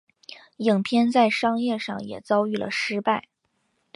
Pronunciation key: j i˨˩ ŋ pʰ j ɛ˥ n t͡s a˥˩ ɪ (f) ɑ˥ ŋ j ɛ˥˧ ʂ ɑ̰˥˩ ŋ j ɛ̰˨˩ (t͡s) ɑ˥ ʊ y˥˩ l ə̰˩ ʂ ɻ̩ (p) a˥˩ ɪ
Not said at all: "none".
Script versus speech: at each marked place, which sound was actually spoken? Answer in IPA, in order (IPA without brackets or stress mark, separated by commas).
ʂ, t͡s, p